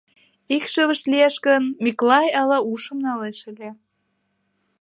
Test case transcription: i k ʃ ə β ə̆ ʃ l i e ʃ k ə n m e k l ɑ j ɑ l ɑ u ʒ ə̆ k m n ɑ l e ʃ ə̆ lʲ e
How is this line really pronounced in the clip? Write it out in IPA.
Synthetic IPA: i k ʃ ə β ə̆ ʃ l i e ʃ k ə n m i k l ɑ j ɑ l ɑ u ʃ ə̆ m n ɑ l e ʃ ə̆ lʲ e